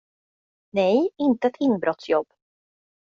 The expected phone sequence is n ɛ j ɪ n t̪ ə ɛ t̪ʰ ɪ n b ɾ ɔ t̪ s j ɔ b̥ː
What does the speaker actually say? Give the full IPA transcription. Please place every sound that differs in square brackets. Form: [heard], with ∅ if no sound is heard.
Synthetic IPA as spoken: n ɛ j ɪ n t̪ ə ɛ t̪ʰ ɪ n b ɾ ɔ t̪ s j ɔ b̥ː